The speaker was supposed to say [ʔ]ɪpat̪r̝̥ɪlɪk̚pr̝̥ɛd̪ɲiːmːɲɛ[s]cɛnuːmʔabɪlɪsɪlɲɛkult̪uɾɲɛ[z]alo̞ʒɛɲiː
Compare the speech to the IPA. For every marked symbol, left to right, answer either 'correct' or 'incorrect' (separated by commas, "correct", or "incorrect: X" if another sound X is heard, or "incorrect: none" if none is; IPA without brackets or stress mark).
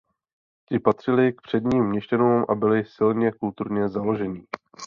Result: incorrect: c, incorrect: ʃ, correct